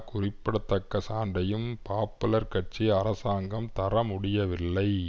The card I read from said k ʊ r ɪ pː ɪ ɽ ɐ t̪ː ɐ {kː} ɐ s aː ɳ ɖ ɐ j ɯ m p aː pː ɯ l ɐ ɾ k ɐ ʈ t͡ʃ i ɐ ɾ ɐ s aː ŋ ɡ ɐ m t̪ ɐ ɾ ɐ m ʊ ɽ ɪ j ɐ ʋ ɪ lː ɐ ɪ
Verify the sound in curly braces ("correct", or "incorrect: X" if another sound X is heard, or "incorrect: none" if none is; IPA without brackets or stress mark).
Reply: correct